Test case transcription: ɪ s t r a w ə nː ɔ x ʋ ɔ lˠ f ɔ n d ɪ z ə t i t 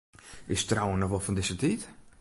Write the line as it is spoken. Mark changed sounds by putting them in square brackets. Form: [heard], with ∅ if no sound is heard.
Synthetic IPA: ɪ s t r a w ə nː ɔ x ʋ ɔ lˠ f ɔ n d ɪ [s] ə t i t